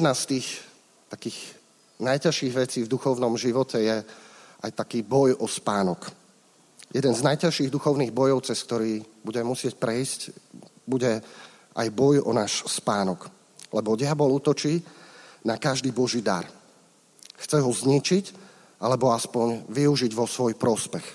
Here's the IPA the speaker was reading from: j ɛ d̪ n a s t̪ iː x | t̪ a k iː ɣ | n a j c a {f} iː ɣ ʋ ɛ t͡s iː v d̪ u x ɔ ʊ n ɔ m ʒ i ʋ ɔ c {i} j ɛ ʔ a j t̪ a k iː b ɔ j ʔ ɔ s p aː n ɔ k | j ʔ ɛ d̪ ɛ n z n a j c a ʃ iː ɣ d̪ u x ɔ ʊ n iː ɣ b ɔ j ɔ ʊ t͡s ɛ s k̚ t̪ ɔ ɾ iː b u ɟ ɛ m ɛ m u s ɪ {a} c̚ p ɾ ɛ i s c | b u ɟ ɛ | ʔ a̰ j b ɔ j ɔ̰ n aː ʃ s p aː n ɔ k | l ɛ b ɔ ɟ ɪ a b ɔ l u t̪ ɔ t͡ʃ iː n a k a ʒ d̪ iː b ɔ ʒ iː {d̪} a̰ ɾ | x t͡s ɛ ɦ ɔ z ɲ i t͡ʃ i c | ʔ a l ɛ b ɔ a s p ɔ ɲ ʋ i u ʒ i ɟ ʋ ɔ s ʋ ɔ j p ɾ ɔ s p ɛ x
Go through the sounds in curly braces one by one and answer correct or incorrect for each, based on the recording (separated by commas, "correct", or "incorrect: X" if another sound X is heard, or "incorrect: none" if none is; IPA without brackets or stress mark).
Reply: incorrect: ʃ, incorrect: ɛ, incorrect: ɛ, correct